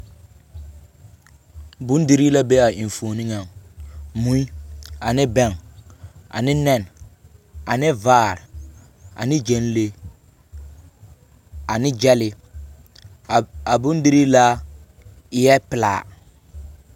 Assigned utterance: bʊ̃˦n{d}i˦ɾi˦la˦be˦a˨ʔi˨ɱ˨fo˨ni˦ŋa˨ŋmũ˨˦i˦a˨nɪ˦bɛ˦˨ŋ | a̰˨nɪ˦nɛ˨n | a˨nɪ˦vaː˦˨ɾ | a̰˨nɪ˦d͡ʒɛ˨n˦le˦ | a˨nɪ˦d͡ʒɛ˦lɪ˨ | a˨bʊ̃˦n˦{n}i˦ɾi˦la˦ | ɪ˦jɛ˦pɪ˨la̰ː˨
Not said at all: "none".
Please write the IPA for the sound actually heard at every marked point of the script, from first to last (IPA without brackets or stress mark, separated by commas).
d, d